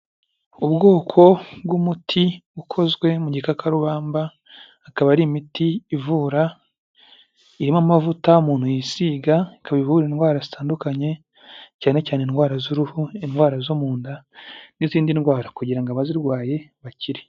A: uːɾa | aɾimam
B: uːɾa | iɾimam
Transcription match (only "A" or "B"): B